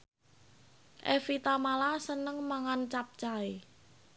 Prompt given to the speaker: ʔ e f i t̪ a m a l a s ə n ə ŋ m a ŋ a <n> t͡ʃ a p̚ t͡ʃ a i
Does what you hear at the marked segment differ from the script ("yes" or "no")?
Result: no